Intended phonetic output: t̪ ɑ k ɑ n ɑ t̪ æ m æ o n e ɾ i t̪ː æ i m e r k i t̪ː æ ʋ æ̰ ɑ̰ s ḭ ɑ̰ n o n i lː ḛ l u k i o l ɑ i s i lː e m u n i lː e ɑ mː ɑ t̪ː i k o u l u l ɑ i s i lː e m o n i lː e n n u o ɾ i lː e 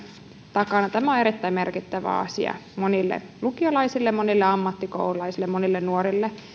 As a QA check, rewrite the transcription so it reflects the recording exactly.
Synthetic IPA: t̪ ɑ k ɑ n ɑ t̪ æ m æ o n e ɾ i t̪ː æ i m e r k i t̪ː æ ʋ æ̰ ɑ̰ s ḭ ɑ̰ m o n i lː ḛ l u k i o l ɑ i s i lː e m o n i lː e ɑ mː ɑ t̪ː i k o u l u l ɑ i s i lː e m o n i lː e n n u o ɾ i lː e